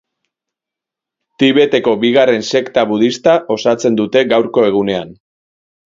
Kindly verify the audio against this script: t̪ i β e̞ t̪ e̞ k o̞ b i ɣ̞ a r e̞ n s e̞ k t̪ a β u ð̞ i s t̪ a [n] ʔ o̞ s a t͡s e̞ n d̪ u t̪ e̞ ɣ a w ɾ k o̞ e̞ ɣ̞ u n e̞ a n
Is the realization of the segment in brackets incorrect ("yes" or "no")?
yes